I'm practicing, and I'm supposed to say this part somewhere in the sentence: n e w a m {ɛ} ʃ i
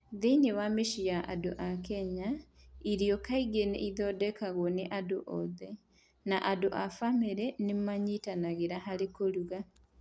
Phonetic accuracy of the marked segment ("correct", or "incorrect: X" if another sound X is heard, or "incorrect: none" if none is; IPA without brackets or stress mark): incorrect: e